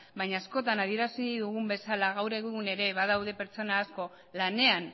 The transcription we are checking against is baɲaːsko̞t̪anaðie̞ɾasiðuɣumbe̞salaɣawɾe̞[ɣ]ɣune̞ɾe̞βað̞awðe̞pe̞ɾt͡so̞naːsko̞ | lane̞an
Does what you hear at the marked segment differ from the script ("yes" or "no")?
no